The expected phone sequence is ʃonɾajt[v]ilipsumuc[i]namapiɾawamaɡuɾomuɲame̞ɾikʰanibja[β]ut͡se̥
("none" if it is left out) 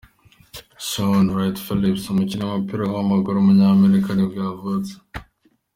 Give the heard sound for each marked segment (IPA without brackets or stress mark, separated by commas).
f, i, v